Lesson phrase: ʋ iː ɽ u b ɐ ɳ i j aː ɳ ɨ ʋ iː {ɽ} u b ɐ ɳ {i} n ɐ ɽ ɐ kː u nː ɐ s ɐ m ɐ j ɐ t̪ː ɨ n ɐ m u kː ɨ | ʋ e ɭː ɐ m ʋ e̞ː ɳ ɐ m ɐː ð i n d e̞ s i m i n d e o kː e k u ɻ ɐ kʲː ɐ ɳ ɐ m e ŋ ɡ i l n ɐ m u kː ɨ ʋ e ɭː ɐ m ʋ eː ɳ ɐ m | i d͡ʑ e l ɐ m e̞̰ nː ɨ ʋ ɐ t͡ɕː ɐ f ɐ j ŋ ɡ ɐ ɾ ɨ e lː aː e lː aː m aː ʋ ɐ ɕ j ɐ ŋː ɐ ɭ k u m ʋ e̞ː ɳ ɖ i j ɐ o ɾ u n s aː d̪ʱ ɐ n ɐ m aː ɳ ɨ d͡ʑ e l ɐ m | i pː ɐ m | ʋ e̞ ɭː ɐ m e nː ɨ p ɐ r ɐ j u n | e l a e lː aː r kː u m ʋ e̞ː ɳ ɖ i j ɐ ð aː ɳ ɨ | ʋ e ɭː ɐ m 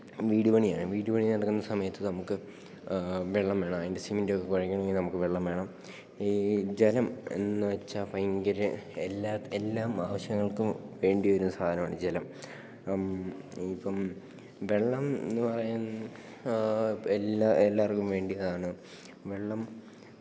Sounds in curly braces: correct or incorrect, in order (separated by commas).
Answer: correct, correct